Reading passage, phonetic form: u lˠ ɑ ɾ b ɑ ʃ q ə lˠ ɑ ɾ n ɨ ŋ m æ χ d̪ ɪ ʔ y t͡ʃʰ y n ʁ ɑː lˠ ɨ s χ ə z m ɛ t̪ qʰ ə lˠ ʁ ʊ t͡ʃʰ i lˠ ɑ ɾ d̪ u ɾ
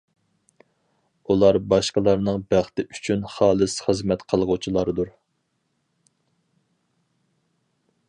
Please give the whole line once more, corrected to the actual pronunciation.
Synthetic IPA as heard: u lˠ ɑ ɾ b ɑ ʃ q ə lˠ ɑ ɾ n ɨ ŋ b æ χ t̪ ɪ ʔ y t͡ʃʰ y n χ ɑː lˠ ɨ s χ ə z m ɛ t̪ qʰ ə lˠ ʁ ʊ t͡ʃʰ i lˠ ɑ ɾ d̪ u ɾ